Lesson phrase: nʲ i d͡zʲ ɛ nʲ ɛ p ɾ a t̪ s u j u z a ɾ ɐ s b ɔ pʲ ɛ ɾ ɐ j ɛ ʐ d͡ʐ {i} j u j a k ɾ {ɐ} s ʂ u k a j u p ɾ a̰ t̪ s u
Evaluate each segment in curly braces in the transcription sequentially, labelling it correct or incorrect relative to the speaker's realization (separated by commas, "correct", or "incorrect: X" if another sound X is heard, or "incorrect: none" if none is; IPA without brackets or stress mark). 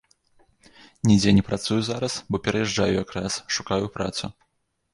incorrect: a, incorrect: a